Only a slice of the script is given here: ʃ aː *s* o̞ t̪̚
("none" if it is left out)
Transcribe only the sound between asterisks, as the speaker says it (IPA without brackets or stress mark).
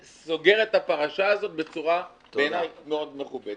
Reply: z